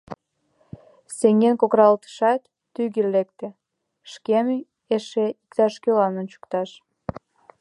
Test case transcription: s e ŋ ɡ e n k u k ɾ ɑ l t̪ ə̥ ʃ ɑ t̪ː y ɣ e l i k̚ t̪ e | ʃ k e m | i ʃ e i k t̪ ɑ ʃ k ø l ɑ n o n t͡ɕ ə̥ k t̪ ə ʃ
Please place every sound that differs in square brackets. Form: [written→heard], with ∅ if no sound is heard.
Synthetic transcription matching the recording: s e ŋ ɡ e n k [u→o] k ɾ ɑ l t̪ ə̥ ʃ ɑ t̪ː y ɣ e l [i→e] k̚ t̪ e | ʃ k e m | [i→e] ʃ e i k t̪ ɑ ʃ k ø l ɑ n o n t͡ɕ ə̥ k t̪ [ə→ɑ] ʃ